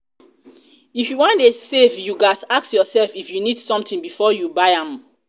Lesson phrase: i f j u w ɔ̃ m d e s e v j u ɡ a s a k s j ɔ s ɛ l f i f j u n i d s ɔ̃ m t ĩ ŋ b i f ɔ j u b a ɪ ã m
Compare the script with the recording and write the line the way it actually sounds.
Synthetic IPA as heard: i f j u w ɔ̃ n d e s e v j u ɡ a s a k s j ɔ s ɛ l f i f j u n i d s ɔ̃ m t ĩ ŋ b i f ɔ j u b a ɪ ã m